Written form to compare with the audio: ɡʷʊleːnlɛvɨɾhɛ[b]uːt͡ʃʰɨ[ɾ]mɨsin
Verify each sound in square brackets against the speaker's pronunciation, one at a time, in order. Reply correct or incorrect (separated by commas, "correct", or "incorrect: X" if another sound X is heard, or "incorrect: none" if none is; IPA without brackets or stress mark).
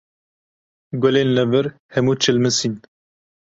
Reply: incorrect: m, incorrect: l